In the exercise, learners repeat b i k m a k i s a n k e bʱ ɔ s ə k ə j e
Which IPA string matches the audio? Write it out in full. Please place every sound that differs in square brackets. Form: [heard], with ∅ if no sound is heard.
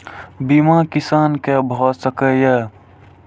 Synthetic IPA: b i [∅] m a k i s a n k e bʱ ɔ s ə k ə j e